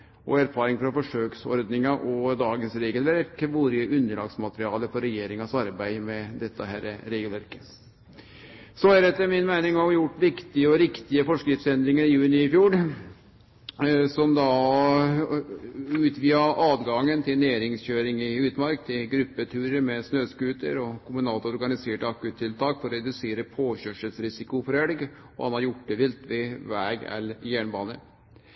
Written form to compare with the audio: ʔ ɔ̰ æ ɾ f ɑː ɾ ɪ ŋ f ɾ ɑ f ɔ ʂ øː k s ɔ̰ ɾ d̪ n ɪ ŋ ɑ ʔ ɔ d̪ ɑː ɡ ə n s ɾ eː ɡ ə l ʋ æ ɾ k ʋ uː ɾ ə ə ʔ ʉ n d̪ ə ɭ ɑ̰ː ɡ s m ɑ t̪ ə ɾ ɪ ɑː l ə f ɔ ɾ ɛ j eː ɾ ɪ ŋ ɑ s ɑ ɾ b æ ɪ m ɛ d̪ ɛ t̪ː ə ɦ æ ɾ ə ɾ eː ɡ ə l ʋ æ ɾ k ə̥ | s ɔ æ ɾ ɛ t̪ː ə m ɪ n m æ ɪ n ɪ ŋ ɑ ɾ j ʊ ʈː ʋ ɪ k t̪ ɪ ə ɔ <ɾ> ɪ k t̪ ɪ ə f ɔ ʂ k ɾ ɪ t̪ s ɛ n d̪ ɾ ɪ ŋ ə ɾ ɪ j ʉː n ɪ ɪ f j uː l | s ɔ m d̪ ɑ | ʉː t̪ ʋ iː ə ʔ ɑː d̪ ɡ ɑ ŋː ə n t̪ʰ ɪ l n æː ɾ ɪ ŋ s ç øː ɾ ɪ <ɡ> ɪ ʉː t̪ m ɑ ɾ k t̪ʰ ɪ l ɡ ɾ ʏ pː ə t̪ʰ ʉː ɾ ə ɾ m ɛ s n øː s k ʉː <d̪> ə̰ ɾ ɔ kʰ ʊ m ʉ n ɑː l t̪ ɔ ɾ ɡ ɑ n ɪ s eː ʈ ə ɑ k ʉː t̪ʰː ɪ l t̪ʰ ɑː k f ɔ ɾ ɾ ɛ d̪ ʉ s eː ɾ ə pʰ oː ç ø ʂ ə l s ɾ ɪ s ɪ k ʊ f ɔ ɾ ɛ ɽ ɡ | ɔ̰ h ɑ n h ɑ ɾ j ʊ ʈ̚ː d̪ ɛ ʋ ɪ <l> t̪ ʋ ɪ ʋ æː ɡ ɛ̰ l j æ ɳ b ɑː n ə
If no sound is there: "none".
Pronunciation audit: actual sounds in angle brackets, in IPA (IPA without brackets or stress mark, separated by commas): ɾ, ŋ, t̪, l